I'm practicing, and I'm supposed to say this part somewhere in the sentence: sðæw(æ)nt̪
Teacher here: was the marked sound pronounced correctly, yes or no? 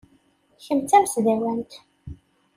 yes